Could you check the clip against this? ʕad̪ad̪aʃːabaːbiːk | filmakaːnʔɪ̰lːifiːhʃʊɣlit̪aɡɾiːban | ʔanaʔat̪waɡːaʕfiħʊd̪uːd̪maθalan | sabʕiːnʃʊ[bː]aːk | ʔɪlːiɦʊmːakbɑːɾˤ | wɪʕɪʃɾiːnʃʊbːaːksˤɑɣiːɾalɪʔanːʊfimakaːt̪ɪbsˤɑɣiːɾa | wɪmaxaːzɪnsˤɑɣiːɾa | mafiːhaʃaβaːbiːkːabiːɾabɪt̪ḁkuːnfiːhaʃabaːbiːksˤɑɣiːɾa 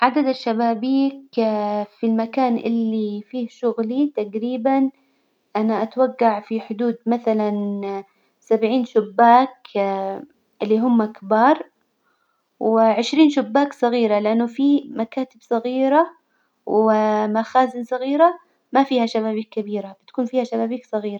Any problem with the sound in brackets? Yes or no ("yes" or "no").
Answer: no